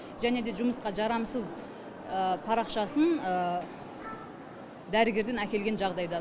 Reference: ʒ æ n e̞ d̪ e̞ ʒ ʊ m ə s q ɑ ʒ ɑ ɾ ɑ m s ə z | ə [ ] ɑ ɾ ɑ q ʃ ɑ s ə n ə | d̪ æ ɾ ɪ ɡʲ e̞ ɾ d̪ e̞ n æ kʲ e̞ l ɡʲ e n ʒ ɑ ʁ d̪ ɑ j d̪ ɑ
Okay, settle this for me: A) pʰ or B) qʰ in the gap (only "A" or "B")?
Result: A